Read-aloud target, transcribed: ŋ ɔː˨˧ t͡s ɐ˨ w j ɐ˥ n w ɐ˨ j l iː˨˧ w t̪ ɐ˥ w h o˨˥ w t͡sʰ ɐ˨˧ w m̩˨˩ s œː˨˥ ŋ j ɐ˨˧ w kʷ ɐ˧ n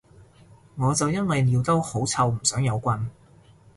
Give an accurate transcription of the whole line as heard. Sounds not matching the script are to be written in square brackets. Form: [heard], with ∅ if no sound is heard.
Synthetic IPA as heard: ŋ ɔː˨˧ t͡s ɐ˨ w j ɐ˥ n w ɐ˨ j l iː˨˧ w t̪ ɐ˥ w h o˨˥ w t͡sʰ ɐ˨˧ w m̩˨˩ s œː˨˥ ŋ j ɐ˨˧ w kʷ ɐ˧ n